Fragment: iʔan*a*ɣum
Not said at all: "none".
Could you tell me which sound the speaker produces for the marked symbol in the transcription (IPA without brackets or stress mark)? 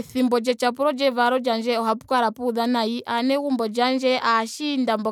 ɛ